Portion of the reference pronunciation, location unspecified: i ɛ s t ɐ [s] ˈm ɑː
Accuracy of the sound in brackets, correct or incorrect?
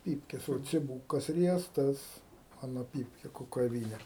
correct